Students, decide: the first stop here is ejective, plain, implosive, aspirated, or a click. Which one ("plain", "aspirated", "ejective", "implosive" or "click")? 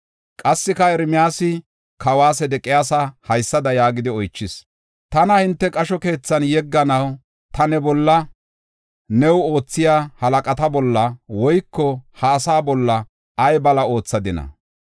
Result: ejective